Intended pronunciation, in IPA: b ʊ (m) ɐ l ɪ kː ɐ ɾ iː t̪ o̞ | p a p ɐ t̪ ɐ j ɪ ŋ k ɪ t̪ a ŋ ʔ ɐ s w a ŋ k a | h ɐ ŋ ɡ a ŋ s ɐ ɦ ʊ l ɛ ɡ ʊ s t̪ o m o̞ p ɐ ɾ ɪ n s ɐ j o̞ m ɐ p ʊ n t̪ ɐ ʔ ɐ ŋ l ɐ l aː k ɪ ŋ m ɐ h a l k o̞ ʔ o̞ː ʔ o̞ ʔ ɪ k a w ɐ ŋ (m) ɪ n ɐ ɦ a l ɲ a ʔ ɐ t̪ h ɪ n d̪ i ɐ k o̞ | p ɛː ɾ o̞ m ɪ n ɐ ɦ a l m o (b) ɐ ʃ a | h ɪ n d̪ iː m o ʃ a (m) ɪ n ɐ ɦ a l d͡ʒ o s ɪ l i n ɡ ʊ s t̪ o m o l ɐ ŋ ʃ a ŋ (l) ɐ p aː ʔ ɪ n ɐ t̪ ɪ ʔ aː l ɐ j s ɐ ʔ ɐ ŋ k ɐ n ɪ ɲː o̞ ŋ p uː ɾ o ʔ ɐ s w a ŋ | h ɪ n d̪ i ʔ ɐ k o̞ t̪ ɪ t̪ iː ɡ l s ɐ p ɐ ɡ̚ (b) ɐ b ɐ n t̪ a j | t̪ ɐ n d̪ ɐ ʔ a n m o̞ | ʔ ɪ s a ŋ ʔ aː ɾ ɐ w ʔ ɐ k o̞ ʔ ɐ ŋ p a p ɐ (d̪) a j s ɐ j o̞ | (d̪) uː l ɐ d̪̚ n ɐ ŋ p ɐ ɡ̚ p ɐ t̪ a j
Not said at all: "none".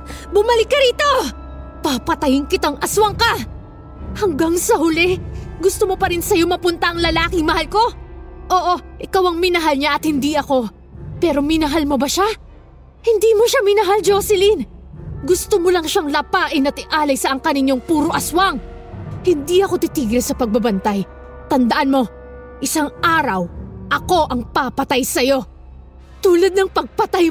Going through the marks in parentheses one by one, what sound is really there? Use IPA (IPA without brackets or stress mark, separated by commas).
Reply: m, m, b, m, l, b, t̪, t̪